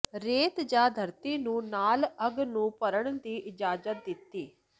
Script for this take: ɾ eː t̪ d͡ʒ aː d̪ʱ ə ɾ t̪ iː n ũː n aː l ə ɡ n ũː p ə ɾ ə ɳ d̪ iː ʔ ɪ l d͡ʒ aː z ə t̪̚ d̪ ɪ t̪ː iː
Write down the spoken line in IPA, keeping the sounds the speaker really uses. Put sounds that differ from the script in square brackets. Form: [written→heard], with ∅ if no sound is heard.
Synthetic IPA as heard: ɾ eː t̪ d͡ʒ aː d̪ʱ ə ɾ t̪ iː n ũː n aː l ə ɡ n ũː p ə ɾ ə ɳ d̪ iː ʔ ɪ [l→∅] d͡ʒ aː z ə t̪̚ d̪ ɪ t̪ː iː